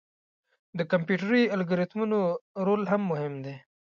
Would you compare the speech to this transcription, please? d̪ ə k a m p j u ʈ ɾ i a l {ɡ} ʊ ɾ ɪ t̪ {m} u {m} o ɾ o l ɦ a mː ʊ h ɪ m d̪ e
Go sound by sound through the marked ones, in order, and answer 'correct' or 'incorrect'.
correct, correct, incorrect

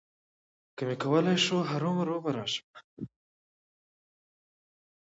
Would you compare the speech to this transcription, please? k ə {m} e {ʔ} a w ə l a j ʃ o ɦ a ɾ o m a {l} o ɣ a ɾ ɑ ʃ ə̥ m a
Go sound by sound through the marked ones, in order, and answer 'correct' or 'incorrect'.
correct, incorrect, incorrect

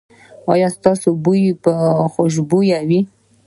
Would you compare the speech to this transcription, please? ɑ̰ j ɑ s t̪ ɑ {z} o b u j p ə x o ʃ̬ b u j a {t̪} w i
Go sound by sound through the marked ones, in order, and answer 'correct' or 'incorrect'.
incorrect, incorrect

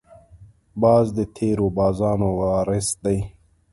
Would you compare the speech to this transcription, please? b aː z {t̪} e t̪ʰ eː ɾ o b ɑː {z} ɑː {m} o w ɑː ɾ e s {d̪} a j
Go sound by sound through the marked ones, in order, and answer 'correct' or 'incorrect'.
incorrect, correct, incorrect, correct

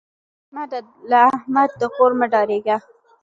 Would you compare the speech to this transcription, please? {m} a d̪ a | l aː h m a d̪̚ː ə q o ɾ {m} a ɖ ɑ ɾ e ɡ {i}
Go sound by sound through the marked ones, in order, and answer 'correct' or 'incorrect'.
correct, correct, incorrect

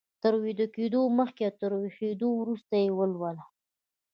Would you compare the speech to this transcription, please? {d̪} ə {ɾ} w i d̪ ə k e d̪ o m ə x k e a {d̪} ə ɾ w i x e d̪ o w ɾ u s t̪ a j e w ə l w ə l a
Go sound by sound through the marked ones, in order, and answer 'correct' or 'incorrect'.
incorrect, correct, incorrect

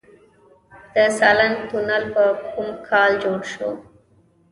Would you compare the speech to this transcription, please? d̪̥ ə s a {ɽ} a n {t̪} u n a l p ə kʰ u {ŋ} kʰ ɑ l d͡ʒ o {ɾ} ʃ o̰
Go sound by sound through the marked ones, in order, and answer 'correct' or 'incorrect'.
incorrect, correct, incorrect, incorrect

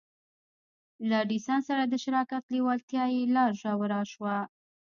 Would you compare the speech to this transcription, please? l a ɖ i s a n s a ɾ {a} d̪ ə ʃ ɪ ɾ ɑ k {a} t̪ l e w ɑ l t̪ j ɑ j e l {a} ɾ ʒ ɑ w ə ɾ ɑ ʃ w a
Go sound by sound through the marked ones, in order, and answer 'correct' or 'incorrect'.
correct, correct, incorrect

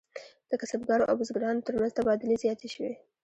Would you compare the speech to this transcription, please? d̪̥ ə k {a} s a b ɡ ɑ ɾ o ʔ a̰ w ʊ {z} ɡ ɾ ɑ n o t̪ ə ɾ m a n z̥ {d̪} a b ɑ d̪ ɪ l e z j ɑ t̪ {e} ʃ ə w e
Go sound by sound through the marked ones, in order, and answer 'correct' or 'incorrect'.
correct, correct, incorrect, correct

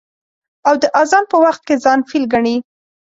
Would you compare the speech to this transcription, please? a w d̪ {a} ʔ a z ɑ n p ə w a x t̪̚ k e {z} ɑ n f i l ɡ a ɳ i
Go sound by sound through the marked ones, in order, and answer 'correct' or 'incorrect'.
incorrect, correct

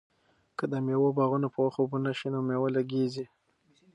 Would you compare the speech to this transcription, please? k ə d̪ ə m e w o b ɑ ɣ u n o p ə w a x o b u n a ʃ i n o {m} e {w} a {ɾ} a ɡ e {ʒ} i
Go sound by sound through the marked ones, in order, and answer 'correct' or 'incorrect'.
correct, correct, incorrect, incorrect

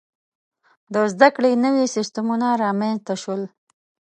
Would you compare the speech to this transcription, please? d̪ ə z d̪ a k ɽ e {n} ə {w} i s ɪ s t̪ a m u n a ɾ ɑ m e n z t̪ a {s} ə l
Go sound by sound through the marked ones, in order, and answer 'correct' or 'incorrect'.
correct, correct, incorrect

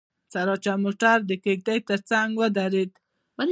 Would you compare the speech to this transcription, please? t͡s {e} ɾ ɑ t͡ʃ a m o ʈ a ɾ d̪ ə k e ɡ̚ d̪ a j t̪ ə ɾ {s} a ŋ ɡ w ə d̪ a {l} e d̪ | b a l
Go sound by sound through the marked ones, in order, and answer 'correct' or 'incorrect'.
incorrect, incorrect, incorrect

